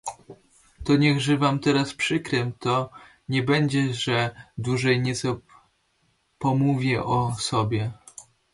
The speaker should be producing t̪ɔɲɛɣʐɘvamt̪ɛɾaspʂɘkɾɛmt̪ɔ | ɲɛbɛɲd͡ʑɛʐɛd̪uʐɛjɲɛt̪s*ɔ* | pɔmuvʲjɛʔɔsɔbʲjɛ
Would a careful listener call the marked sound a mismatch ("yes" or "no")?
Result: no